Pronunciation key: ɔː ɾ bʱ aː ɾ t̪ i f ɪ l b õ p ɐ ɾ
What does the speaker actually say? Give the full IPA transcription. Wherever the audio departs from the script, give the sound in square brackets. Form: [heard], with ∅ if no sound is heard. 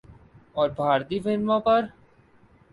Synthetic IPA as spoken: ɔː ɾ bʱ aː ɾ t̪ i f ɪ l [m] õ p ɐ ɾ